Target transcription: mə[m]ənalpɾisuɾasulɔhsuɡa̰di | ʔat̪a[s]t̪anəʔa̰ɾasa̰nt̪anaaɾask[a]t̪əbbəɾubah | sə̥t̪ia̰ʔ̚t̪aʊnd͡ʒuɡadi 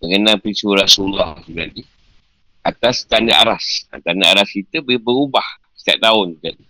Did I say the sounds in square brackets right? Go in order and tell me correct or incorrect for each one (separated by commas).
incorrect, correct, incorrect